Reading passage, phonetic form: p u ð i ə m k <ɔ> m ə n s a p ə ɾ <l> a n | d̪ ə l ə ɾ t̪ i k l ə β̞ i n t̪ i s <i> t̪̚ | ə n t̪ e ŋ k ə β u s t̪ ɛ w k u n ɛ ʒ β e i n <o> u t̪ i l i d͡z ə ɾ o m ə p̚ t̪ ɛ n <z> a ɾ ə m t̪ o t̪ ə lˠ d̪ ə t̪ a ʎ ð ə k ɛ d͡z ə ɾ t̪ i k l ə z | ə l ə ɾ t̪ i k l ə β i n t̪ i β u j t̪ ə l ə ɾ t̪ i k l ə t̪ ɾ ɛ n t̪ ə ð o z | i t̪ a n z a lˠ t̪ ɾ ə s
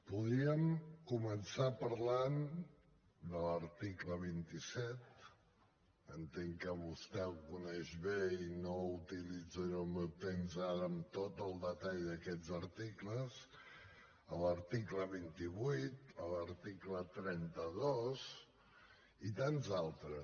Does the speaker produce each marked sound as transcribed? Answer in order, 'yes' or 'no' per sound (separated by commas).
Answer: no, yes, no, yes, yes